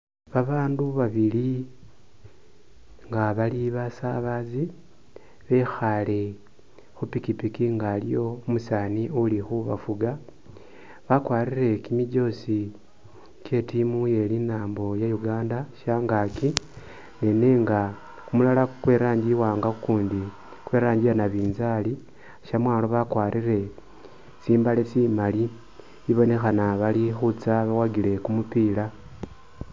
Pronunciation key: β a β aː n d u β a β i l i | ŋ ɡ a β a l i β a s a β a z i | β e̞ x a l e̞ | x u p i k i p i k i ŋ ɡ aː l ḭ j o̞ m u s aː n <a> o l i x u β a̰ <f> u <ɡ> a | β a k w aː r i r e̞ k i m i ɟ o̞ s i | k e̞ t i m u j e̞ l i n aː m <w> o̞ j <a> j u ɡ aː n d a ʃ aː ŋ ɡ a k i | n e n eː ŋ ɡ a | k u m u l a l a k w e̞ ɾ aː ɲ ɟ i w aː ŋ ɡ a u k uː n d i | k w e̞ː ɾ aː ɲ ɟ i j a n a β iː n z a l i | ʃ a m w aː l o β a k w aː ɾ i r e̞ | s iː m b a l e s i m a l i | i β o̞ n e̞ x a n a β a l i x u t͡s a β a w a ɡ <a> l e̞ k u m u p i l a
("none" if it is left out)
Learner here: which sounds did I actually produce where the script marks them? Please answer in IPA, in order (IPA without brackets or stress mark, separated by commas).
i, f, ɡ, b, a, i